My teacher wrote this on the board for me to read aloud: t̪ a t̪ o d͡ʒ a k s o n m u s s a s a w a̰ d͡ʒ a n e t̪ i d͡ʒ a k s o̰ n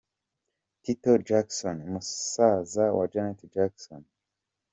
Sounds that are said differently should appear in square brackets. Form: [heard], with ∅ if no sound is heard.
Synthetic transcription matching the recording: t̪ [i] t̪ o d͡ʒ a k s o n m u s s a [z] a w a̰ d͡ʒ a n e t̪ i d͡ʒ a k s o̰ n